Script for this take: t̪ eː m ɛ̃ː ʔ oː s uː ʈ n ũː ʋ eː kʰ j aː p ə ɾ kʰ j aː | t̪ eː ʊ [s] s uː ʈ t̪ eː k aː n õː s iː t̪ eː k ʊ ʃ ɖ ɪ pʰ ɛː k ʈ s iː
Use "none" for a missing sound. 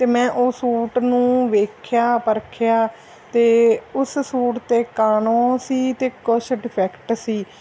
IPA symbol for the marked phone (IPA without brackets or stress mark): s